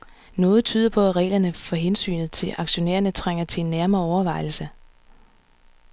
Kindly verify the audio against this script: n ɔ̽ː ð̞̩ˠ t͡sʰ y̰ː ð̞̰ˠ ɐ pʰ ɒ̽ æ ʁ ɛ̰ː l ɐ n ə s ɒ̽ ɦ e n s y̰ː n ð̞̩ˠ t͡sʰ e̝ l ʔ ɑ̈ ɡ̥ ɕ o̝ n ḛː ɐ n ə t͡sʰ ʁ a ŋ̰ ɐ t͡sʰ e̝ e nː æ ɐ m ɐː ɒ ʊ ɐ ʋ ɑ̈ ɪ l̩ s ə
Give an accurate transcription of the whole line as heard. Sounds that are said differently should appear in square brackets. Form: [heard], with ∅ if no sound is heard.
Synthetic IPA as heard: n ɔ̽ː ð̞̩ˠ t͡sʰ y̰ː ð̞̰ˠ ɐ pʰ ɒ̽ æ ʁ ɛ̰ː l ɐ n ə [f] ɒ̽ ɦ e n s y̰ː n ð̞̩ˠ t͡sʰ e̝ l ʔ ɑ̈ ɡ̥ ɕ o̝ n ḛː ɐ n ə t͡sʰ ʁ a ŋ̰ ɐ t͡sʰ e̝ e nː æ ɐ m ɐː ɒ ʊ ɐ ʋ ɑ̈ ɪ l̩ s ə

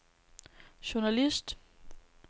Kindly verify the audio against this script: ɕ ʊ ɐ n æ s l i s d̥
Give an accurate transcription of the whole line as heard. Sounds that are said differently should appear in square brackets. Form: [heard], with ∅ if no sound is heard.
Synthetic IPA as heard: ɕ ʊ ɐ n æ [∅] l i s d̥

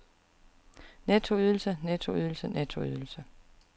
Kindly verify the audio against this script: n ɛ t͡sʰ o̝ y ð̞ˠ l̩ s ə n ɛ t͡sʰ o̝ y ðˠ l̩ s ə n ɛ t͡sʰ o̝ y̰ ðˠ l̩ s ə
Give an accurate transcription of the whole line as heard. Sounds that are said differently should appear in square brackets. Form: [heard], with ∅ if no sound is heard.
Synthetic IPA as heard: n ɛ t͡sʰ o̝ y ð̞ˠ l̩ s ə n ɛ t͡sʰ o̝ y ðˠ l̩ s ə n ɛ t͡sʰ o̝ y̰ ðˠ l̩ s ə

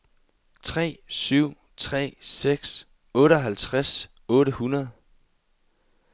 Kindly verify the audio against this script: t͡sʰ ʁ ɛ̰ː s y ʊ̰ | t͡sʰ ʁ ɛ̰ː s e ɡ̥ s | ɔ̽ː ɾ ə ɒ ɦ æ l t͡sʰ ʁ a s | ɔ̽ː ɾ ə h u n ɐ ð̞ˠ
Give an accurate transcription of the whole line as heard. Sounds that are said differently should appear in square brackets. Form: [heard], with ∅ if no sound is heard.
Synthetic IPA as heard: t͡sʰ ʁ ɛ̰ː s y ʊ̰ | t͡sʰ ʁ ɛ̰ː s e ɡ̥ s | ɔ̽ː ɾ ə ɒ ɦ æ l t͡sʰ ʁ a s | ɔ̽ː ɾ ə h u n ɐ ð̞ˠ

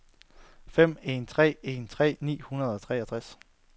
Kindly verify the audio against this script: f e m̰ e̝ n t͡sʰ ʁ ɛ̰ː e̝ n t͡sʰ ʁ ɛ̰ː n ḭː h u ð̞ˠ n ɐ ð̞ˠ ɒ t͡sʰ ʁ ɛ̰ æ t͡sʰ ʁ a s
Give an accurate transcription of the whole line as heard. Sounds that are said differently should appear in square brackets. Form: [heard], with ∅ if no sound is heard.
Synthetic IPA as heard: f e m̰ e̝ n t͡sʰ ʁ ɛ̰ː e̝ n t͡sʰ ʁ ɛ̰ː n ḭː h u [∅] n ɐ ð̞ˠ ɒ t͡sʰ ʁ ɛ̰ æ t͡sʰ ʁ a s

